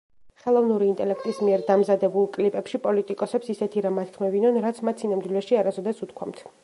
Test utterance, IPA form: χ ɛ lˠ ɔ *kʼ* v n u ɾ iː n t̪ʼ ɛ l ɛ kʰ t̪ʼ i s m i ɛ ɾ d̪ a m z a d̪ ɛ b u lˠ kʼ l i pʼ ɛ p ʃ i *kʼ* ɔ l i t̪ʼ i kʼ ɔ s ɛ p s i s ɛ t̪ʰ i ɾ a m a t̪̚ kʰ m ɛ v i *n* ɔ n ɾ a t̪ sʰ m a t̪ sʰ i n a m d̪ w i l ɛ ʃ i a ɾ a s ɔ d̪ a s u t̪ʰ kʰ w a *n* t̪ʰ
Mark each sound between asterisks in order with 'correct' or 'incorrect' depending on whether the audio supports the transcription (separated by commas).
incorrect, incorrect, correct, incorrect